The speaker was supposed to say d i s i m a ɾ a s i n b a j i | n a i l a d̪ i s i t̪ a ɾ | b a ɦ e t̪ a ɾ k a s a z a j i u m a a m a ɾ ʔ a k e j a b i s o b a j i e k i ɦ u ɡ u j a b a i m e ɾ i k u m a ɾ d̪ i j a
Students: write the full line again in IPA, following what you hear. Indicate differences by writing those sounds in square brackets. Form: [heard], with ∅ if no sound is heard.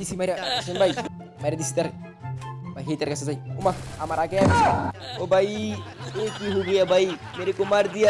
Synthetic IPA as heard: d i s i m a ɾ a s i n b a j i | [m] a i [ɾ] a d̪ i s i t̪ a ɾ | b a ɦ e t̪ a ɾ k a s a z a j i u m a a m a ɾ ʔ a k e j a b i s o b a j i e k i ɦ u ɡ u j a b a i m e ɾ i k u m a ɾ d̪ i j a